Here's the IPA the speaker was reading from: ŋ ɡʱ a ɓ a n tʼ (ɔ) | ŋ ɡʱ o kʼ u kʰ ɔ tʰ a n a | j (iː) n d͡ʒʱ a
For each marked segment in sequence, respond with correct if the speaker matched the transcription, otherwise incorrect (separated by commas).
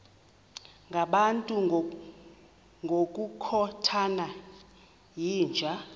incorrect, correct